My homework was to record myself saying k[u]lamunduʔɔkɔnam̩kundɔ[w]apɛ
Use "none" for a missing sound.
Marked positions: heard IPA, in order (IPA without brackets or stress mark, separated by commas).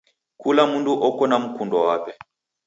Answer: u, w